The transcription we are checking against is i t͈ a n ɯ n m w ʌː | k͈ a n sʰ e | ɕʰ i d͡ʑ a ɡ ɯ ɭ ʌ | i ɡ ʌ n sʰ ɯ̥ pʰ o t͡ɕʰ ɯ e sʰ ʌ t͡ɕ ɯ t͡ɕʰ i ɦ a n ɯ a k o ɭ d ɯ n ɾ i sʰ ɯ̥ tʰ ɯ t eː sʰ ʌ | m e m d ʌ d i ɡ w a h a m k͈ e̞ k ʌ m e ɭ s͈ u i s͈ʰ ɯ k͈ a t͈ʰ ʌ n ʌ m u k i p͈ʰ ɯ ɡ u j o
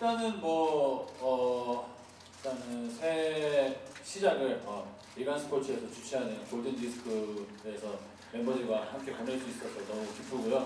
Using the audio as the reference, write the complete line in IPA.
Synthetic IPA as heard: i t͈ a n ɯ n m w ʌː | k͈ a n sʰ e | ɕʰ i d͡ʑ a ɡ ɯ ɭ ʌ | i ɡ a n sʰ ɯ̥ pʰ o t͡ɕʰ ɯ e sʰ ʌ t͡ɕ u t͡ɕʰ i ɦ a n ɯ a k o ɭ d ɯ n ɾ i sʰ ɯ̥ kʰ ɯ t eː sʰ ʌ | m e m b ʌ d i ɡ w a h a m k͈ e̞ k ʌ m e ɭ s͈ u i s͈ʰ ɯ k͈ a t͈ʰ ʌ n ʌ m u k i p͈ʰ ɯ ɡ u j o